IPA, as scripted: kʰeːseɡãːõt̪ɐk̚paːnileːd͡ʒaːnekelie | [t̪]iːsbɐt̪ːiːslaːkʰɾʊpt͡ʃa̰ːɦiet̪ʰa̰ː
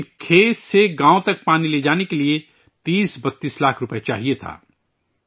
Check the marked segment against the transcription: correct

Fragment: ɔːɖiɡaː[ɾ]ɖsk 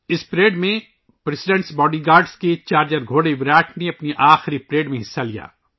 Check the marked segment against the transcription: correct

